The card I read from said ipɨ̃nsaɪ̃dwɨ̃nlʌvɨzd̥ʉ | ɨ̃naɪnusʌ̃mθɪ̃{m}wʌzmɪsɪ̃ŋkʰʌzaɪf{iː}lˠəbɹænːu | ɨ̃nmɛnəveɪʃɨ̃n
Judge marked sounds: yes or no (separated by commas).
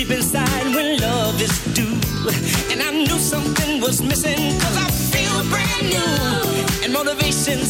no, no